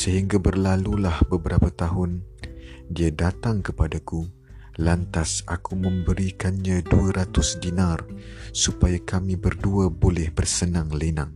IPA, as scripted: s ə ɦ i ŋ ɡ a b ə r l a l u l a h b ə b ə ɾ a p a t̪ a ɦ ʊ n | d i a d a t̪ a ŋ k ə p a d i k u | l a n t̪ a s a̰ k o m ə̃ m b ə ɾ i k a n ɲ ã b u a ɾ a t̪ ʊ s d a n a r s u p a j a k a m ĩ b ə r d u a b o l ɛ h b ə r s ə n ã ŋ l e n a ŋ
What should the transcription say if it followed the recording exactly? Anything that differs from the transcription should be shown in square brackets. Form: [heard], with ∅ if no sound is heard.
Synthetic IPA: s ə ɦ i ŋ ɡ a b ə r l a l u l a h b ə b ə ɾ a p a t̪ a ɦ ʊ n | d i a d a t̪ a ŋ k ə p a d [a] k u | l a n t̪ a s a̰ k [u] m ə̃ m b ə ɾ i k a n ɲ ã [d] u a ɾ a t̪ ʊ s d [i] n a r s u p a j a k a m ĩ b ə r d u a b o l ɛ h b ə r s ə n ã ŋ l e n a ŋ